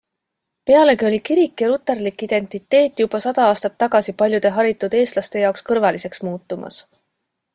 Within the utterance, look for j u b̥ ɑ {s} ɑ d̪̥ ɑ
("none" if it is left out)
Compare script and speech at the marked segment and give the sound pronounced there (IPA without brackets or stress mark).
s